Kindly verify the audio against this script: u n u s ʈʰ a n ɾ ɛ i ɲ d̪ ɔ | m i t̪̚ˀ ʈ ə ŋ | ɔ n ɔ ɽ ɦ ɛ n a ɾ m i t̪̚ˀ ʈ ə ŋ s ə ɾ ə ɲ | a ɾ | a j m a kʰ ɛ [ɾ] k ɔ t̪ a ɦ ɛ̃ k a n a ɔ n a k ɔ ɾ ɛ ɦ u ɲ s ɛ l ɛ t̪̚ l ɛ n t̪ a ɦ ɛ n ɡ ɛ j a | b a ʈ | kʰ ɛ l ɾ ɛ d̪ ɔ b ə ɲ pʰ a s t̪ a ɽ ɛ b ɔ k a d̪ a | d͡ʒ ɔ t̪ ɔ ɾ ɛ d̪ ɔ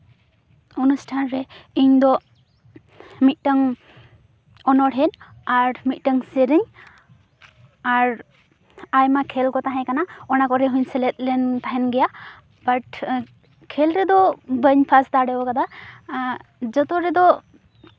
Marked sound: incorrect: l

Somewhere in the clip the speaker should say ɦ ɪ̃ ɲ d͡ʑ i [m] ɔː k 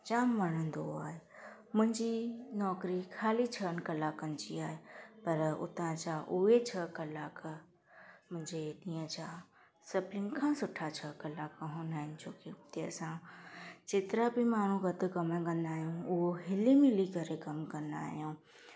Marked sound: incorrect: n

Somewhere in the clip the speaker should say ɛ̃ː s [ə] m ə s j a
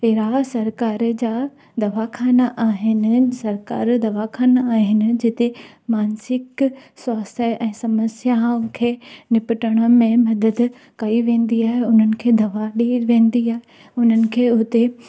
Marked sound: incorrect: ɐ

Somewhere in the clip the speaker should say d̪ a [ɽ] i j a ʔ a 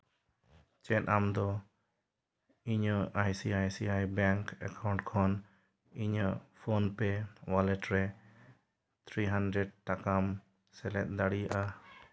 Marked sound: correct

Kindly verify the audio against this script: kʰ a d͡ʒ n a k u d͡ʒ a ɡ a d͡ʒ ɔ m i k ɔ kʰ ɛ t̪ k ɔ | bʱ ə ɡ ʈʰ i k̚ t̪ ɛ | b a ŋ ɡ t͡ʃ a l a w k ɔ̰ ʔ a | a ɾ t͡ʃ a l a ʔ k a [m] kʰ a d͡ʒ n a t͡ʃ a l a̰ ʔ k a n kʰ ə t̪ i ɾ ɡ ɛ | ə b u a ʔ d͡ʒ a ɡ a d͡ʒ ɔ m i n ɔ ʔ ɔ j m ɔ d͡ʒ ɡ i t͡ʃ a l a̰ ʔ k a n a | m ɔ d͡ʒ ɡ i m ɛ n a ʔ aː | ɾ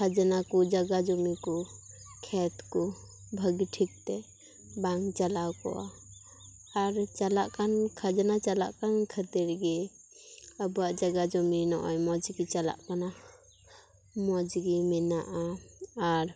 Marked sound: incorrect: n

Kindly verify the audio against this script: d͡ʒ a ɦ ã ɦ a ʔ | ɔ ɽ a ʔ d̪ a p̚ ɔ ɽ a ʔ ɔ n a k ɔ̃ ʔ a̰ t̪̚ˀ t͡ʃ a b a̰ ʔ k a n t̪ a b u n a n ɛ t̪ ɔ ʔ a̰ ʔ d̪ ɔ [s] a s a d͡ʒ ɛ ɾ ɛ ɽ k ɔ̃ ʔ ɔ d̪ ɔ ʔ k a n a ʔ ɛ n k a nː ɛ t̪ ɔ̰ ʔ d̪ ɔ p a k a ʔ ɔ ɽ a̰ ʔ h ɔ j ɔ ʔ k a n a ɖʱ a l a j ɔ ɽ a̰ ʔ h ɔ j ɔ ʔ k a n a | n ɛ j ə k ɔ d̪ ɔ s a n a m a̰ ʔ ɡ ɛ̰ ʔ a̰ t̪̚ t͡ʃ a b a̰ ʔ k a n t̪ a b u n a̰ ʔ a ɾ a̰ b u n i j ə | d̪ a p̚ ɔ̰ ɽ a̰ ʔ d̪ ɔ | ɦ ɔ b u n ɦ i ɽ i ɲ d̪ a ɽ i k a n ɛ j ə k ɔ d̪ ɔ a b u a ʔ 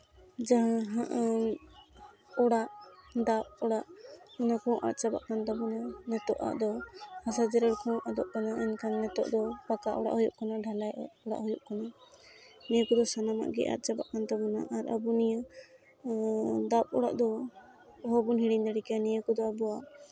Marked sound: incorrect: h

